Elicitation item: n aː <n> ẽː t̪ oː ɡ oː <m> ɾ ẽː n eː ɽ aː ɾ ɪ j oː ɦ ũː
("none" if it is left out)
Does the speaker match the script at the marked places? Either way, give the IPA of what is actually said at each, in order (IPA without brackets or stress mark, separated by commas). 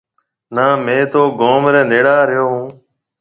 m, m